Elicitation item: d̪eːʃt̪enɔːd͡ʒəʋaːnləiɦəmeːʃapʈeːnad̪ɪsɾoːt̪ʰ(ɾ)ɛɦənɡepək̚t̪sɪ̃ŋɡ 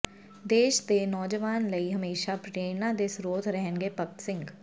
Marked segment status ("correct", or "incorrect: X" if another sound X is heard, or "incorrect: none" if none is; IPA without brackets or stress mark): correct